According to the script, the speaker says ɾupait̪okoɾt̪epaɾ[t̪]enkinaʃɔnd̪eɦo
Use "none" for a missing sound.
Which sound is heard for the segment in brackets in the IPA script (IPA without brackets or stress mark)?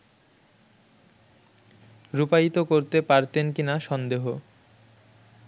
t̪